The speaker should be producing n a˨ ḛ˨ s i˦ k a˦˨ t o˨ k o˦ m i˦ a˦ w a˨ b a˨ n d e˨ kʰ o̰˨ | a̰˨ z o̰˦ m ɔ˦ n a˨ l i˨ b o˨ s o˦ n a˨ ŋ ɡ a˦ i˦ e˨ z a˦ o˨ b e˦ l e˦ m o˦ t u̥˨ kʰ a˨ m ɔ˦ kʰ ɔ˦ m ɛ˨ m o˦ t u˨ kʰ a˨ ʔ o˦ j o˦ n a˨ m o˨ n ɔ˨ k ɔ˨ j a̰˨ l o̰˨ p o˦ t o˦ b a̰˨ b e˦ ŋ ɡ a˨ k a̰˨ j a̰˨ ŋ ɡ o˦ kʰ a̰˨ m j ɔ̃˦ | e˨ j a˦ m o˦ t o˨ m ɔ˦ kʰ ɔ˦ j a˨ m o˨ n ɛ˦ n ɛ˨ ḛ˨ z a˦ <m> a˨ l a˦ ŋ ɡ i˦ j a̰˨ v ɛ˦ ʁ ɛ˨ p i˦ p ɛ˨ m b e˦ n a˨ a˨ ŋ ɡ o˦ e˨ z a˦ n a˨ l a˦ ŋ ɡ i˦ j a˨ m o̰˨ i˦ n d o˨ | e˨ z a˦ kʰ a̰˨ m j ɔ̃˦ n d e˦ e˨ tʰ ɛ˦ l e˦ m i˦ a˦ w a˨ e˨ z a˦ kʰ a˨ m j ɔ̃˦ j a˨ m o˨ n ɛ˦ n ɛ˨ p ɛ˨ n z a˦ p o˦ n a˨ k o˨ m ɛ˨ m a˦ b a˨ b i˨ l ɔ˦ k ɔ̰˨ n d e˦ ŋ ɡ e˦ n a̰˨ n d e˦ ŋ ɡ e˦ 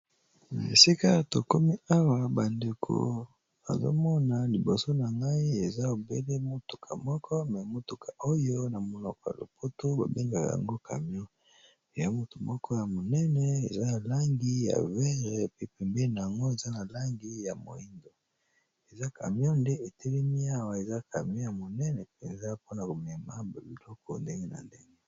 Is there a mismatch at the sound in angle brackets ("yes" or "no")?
yes